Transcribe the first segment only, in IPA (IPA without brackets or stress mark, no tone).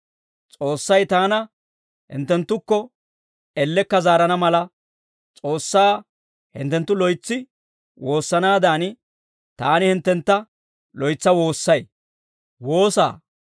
t͡sʼ